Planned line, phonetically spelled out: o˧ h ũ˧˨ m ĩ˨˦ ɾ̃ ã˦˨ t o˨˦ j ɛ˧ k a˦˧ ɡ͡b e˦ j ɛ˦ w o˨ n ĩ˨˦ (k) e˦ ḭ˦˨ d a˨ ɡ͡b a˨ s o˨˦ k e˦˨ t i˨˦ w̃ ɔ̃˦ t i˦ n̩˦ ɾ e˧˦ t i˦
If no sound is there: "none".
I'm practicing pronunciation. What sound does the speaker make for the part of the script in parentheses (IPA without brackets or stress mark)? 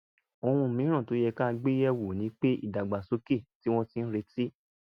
k͡p